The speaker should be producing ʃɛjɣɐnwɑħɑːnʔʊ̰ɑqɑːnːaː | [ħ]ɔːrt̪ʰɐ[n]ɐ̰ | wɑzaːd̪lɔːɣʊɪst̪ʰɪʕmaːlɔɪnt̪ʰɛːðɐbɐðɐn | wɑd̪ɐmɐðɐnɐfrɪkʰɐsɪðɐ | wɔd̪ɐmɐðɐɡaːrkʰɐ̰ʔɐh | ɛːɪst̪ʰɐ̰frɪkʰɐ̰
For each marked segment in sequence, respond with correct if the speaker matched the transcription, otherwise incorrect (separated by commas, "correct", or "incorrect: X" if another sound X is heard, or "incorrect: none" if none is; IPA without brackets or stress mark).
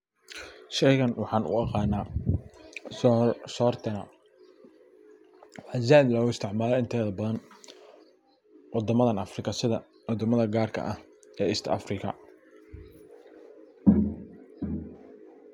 incorrect: s, correct